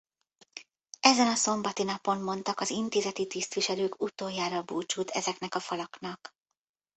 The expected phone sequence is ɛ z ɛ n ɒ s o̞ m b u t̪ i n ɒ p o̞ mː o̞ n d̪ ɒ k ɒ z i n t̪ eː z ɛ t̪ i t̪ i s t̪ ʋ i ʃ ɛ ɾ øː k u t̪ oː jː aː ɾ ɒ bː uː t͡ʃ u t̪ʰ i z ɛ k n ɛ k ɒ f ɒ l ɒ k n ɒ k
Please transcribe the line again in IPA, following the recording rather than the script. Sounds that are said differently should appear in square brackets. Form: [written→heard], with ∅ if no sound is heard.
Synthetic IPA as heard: ɛ z ɛ n ɒ s o̞ m b [u→ɒ] t̪ i n ɒ p o̞ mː o̞ n [d̪→t̪] ɒ k ɒ z i n t̪ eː z ɛ t̪ i t̪ i s t̪ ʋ i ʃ ɛ [ɾ→l] øː k u t̪ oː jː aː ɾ ɒ [bː→b] uː t͡ʃ u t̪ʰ [i→ɛ] z ɛ k n ɛ k ɒ f ɒ l ɒ k n ɒ k